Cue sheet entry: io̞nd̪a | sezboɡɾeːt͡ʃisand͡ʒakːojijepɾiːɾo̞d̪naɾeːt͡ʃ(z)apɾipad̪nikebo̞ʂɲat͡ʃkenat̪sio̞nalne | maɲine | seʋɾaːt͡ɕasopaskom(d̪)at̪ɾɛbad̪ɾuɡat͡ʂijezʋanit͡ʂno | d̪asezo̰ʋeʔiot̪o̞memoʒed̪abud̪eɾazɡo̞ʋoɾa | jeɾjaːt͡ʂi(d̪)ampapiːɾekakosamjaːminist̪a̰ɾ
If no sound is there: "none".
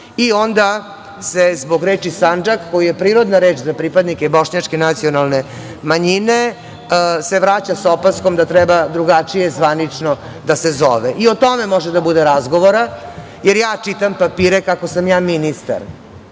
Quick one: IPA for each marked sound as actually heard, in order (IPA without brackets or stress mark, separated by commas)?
z, d̪, t̪